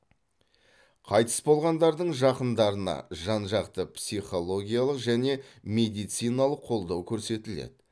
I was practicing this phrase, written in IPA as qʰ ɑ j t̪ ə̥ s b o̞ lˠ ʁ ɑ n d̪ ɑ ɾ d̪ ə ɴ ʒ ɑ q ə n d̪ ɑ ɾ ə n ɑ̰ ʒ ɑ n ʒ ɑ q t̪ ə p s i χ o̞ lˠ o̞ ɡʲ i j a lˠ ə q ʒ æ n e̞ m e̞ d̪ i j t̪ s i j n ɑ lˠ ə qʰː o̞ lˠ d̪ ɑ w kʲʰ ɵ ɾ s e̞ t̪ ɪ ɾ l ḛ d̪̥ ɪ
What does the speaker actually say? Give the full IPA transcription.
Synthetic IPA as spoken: qʰ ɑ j t̪ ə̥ s b o̞ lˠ ʁ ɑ n d̪ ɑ ɾ d̪ ə ɴ ʒ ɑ q ə n d̪ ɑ ɾ ə n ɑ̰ ʒ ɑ n ʒ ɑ q t̪ ə p s i χ o̞ lˠ o̞ ɡʲ i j a lˠ ə q ʒ æ n e̞ m e̞ d̪ i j t̪ s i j n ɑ lˠ ə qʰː o̞ lˠ d̪ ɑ w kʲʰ ɵ ɾ s e̞ t̪ ɪ l ḛ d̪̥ ɪ